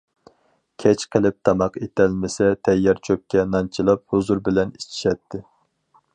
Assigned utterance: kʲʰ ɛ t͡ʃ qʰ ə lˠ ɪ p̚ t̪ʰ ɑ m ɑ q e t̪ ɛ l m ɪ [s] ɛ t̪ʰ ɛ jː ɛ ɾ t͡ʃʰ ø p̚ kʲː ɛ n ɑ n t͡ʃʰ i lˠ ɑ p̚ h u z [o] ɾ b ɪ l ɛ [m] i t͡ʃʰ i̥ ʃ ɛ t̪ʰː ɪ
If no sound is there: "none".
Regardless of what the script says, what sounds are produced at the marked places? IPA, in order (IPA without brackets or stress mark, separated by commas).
s, u, n